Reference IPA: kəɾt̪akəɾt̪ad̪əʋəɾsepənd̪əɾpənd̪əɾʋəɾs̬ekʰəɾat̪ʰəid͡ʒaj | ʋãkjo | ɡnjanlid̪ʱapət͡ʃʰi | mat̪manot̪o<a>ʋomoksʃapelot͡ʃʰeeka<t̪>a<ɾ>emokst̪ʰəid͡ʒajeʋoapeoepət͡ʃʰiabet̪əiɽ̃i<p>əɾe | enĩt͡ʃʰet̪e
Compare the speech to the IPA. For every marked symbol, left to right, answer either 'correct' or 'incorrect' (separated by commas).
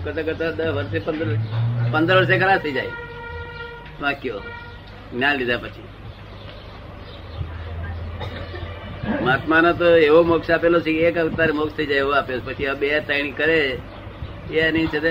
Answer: incorrect, correct, correct, incorrect